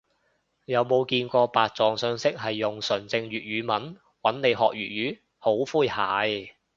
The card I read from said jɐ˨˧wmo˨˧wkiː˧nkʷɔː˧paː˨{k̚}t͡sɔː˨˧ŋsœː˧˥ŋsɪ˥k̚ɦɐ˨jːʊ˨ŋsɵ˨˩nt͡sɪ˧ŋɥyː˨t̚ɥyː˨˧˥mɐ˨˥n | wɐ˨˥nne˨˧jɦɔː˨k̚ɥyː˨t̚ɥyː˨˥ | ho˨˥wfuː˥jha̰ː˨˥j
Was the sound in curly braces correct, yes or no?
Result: no